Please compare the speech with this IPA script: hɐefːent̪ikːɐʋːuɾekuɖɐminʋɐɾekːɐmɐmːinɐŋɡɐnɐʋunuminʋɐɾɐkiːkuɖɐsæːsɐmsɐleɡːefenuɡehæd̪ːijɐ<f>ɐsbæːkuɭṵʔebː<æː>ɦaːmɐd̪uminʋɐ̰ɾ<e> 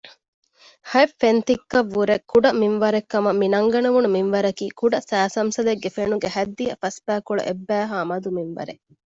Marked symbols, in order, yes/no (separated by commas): yes, yes, yes